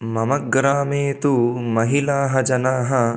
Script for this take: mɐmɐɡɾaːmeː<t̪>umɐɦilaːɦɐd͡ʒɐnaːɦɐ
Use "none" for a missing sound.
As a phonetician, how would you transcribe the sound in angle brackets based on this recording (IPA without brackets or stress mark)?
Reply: t̪